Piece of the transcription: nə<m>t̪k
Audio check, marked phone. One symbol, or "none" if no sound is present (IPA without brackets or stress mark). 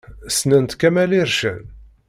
n